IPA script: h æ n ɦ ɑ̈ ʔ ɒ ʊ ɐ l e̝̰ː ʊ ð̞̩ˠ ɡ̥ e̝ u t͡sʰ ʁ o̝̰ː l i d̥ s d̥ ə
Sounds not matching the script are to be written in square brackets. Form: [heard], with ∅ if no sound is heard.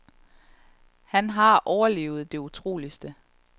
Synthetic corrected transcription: h æ n ɦ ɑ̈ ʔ ɒ ʊ ɐ l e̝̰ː ʊ ð̞̩ˠ [d̥] e̝ u t͡sʰ ʁ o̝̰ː l i [∅] s d̥ ə